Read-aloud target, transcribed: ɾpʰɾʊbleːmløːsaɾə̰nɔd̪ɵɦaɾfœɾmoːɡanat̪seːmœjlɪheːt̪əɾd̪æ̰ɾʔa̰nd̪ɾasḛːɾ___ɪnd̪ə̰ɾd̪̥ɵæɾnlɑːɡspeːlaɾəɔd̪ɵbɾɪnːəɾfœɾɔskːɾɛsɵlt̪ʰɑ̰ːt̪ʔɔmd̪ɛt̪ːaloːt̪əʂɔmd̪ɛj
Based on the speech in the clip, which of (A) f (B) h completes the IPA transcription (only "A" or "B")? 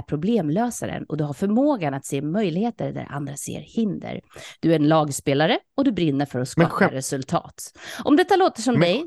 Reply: B